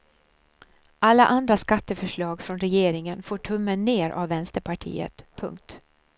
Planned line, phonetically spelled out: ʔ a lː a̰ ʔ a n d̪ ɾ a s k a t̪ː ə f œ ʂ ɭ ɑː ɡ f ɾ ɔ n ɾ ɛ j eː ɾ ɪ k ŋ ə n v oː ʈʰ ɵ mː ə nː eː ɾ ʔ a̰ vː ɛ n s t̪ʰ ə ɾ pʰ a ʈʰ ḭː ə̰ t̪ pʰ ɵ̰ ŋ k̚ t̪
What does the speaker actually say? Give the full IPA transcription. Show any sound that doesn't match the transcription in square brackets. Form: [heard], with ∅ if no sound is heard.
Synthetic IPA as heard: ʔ a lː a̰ ʔ a n d̪ ɾ a s k a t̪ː ə f œ ʂ ɭ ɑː ɡ f ɾ ɔ n ɾ ɛ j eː ɾ ɪ [∅] ŋ ə n [f] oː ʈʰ ɵ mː ə nː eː ɾ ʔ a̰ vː ɛ n s [t̪] ə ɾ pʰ a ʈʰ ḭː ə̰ t̪ pʰ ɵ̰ ŋ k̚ t̪

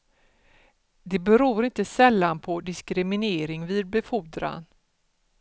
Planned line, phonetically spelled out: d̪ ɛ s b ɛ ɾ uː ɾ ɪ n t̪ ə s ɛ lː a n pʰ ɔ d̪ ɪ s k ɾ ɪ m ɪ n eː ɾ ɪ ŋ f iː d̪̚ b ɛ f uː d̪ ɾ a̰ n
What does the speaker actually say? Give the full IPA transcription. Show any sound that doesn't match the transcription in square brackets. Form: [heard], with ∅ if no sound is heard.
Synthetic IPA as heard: d̪ ɛ [∅] b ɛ ɾ uː ɾ ɪ n t̪ ə s ɛ lː a n pʰ ɔ d̪ ɪ s k ɾ ɪ m ɪ n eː ɾ ɪ ŋ [v] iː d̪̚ b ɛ f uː d̪ ɾ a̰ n

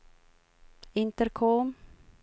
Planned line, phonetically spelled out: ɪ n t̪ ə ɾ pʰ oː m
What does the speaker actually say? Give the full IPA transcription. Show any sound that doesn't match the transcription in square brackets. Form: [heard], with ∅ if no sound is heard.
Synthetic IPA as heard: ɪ n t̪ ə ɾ [kʰ] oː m

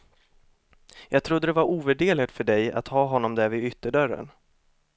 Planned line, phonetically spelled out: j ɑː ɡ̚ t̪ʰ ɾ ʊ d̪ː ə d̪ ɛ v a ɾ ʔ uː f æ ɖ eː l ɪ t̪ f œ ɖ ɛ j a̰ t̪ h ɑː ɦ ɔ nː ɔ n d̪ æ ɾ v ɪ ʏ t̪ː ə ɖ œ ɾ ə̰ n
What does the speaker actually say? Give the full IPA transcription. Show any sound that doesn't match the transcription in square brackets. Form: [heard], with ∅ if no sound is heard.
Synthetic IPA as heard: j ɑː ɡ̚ t̪ʰ ɾ ʊ d̪ː ə d̪ ɛ v a ɾ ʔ uː [v] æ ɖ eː l ɪ t̪ f œ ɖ ɛ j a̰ t̪ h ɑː ɦ ɔ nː ɔ [m] d̪ æ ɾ v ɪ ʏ t̪ː ə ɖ œ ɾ ə̰ n

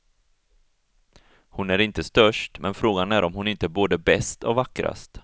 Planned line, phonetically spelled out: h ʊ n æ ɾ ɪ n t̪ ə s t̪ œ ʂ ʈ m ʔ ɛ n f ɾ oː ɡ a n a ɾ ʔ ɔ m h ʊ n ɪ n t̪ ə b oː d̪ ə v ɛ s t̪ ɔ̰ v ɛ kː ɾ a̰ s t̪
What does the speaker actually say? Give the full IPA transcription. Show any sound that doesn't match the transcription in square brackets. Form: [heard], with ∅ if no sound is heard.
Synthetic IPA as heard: h ʊ n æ ɾ ɪ n t̪ ə s t̪ œ ʂ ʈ m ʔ ɛ n f ɾ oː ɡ a n [æ] ɾ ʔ ɔ m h ʊ n ɪ n t̪ ə b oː d̪ ə [b] ɛ s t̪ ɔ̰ v [a] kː ɾ a̰ s t̪

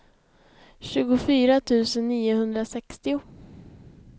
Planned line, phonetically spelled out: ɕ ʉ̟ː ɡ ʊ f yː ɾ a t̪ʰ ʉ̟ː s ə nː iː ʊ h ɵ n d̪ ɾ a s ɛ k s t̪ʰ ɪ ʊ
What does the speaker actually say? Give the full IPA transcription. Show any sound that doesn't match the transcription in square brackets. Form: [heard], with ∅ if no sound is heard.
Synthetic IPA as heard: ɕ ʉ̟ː ɡ ʊ f yː ɾ a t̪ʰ ʉ̟ː s ə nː iː ʊ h ɵ n d̪ ɾ a s ɛ k s [t̪] ɪ ʊ

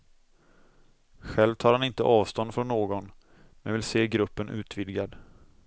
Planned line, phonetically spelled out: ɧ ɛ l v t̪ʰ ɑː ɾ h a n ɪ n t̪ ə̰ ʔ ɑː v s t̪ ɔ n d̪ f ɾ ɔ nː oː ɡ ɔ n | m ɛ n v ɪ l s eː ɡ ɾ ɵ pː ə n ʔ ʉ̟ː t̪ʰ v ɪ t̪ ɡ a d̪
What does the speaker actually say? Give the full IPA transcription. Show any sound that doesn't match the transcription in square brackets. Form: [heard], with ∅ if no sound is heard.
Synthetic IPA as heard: ɧ ɛ l v t̪ʰ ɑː ɾ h a n ɪ n t̪ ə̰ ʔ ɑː v s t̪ ɔ n d̪ f ɾ ɔ nː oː ɡ ɔ n | m ɛ n v ɪ l s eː ɡ ɾ ɵ pː ə n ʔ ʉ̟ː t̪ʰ v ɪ [d̪] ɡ a d̪

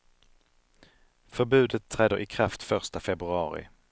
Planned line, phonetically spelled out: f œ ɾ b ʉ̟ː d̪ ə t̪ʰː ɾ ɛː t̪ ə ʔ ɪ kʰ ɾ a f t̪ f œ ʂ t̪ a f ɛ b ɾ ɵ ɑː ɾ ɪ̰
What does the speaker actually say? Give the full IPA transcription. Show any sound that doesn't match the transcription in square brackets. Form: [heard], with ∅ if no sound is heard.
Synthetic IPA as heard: f œ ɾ b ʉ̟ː d̪ ə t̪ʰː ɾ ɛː [d̪] ə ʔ ɪ kʰ ɾ a f t̪ f œ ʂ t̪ a f ɛ b ɾ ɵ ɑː ɾ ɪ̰

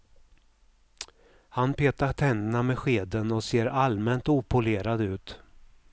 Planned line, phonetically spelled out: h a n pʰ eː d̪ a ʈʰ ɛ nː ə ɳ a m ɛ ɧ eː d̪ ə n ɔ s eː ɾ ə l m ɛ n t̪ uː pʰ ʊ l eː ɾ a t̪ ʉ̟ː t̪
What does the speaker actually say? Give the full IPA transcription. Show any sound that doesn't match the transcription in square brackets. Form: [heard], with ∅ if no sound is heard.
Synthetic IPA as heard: h a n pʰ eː [t̪] a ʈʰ ɛ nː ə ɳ a m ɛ ɧ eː d̪ ə n ɔ s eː ɾ [a] l m ɛ n t̪ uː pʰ ʊ l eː ɾ a [d̪] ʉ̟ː t̪

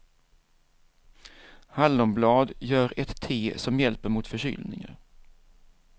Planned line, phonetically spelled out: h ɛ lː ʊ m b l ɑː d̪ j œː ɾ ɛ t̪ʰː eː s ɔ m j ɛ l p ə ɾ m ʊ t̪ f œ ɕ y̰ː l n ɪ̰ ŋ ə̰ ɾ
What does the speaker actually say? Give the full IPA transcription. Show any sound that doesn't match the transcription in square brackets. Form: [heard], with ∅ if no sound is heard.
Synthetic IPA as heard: h [a] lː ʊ m b l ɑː d̪ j œː ɾ ɛ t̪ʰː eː s ɔ m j ɛ l p ə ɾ m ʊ t̪ f œ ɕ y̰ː l n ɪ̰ ŋ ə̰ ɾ

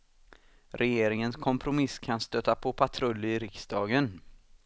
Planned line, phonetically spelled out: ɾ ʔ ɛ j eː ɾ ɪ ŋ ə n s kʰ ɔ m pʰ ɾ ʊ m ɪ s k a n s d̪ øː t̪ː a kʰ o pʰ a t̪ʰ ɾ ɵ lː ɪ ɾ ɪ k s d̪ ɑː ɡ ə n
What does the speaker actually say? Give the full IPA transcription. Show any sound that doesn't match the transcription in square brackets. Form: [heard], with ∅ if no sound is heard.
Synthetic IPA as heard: ɾ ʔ ɛ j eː ɾ ɪ ŋ ə n s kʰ ɔ m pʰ ɾ ʊ m ɪ s [kʰ] a n s [t̪] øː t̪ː a [pʰ] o pʰ a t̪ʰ ɾ ɵ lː ɪ ɾ ɪ k s d̪ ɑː ɡ ə n

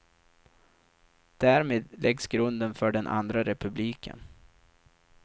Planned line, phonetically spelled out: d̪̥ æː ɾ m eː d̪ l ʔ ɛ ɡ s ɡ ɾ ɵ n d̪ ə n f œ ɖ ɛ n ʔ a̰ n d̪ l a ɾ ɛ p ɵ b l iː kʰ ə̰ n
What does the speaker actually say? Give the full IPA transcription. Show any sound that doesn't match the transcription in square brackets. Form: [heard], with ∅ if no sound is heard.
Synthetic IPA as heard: d̪̥ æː ɾ m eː d̪ l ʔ ɛ ɡ s ɡ ɾ ɵ n d̪ ə n f œ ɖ ɛ n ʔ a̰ n d̪ [ɾ] a ɾ ɛ p ɵ b l iː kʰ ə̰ n

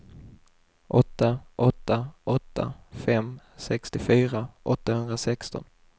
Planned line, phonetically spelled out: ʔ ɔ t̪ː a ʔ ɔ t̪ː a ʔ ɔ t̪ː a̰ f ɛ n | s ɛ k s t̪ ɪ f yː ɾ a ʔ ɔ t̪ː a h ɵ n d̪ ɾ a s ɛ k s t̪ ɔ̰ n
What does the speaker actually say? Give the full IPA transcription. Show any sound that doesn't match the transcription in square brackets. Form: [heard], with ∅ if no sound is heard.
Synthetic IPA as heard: ʔ ɔ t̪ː a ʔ ɔ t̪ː a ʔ ɔ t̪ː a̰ f ɛ [m] | s ɛ k s t̪ ɪ f yː ɾ a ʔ ɔ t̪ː a h ɵ n d̪ ɾ a s ɛ k s t̪ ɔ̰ n

